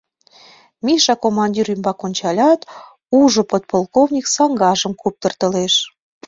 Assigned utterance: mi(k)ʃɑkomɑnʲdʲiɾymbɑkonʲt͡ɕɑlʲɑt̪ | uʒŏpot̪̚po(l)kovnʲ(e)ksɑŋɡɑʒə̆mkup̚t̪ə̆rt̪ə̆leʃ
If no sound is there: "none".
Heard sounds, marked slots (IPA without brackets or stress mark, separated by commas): none, l, i